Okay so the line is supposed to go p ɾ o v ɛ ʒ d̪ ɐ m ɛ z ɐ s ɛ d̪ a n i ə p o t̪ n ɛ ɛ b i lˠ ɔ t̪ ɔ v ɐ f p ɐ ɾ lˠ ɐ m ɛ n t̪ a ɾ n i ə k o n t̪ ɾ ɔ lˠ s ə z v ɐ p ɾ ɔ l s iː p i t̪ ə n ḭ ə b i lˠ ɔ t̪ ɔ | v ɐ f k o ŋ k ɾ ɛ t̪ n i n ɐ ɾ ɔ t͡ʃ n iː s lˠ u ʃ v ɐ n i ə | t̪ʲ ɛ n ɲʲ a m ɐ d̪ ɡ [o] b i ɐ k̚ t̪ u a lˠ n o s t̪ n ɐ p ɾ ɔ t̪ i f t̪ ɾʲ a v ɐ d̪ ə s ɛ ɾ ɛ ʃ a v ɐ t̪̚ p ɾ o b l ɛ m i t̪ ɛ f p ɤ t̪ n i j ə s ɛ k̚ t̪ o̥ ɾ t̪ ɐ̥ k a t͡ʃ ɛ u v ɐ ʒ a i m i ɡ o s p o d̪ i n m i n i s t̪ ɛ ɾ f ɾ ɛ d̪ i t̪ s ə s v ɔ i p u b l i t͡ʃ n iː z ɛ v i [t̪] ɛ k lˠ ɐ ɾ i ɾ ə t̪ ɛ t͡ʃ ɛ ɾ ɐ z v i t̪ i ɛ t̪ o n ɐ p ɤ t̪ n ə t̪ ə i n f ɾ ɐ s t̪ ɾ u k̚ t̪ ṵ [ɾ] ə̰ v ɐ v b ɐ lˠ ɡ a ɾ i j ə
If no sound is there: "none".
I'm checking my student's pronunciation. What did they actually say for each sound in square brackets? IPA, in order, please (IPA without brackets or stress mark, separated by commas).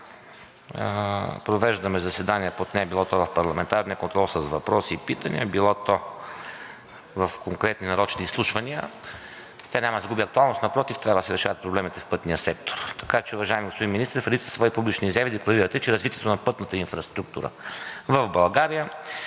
u, d̪, ɾ